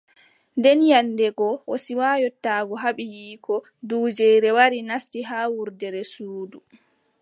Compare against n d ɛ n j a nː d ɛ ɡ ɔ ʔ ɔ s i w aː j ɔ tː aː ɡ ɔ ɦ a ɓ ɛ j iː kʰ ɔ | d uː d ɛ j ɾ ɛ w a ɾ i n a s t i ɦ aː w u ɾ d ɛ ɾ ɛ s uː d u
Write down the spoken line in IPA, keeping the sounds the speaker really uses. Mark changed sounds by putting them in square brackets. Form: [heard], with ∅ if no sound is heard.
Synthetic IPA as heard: n d ɛ n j a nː d ɛ ɡ ɔ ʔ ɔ s i w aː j ɔ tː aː ɡ ɔ ɦ a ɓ [i] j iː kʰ ɔ | d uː [d͡ʒ] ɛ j ɾ ɛ w a ɾ i n a s t i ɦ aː w u ɾ d ɛ ɾ ɛ s uː d u